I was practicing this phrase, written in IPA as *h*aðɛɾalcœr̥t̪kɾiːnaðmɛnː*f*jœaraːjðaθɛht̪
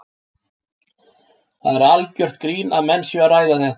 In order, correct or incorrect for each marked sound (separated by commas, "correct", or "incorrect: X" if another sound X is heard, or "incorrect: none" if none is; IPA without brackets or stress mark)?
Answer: incorrect: θ, incorrect: s